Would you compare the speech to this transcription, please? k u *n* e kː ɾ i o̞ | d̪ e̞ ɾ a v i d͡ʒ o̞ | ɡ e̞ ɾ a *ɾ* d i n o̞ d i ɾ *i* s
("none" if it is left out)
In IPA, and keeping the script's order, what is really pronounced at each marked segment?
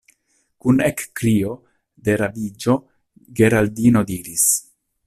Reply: n, l, i

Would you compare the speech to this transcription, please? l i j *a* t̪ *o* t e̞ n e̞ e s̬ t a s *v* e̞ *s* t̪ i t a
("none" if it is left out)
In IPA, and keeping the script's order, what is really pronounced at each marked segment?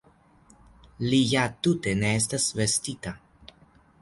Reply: a, u, v, s

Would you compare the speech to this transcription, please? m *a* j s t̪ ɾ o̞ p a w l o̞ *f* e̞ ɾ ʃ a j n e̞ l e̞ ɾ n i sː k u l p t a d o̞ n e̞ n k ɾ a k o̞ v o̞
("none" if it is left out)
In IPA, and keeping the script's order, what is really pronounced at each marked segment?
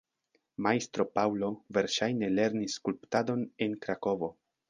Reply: a, v

